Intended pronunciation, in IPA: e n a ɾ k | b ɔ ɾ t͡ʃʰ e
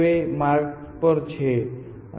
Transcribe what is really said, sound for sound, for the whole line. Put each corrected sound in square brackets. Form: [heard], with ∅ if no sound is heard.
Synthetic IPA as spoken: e [m] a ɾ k | [p] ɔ ɾ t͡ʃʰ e